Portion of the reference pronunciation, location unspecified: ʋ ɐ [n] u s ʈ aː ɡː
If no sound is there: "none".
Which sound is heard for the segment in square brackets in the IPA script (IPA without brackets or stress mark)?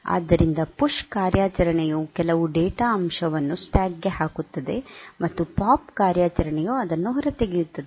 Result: nː